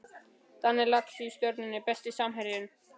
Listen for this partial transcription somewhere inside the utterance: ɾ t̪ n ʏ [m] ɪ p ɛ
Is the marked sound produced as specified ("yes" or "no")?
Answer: no